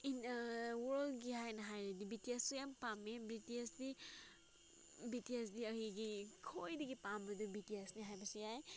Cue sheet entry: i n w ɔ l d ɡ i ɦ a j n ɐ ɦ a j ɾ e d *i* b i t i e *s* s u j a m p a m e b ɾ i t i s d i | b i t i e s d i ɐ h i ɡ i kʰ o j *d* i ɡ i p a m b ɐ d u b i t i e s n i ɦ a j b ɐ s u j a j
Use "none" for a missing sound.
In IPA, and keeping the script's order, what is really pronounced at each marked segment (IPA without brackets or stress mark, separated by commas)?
i, s, d